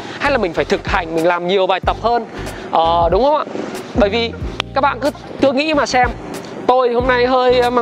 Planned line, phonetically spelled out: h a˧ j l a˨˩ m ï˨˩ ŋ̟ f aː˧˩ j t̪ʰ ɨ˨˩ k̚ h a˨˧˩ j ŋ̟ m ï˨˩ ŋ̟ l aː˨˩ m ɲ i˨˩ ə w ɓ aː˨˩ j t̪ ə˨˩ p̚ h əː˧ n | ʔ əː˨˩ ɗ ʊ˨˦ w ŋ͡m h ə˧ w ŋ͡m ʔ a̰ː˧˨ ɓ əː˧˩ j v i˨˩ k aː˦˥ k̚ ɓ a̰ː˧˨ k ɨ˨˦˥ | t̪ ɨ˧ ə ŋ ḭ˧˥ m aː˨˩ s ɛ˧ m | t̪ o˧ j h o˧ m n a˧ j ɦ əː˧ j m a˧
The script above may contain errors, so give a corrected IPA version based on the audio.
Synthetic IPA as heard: h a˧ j l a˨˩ m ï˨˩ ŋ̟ f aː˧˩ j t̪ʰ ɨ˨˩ k̚ h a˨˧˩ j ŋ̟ m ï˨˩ ŋ̟ l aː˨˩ m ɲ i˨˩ ə w ɓ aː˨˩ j t̪ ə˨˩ p̚ h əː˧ n | ʔ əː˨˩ ɗ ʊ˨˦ w ŋ͡m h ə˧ w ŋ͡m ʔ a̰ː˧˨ ɓ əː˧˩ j v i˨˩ k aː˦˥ k̚ ɓ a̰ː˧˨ k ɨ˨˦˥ | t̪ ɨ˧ ə ŋ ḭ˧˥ m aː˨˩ s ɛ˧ m | t̪ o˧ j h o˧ m n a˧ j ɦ əː˧ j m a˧